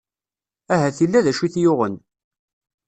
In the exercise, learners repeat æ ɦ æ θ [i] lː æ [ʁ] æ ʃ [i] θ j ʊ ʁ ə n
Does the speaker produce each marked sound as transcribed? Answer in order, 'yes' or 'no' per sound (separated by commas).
yes, no, yes